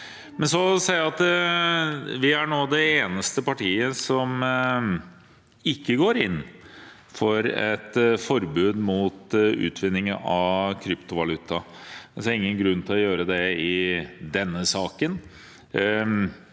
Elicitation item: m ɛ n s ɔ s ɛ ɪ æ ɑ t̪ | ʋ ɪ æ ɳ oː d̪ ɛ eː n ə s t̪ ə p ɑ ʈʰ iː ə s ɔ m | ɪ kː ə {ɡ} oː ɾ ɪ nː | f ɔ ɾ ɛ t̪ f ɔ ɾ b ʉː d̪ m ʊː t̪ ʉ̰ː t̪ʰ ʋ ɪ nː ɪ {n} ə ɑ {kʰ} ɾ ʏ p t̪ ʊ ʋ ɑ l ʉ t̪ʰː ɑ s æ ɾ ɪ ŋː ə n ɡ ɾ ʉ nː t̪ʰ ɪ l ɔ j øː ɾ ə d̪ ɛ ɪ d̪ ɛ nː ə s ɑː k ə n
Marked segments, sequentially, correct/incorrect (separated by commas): correct, incorrect, correct